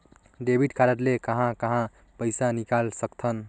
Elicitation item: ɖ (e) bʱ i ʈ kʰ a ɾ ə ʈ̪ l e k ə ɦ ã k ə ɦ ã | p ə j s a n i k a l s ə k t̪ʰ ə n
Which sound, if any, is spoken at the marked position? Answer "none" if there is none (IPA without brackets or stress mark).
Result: e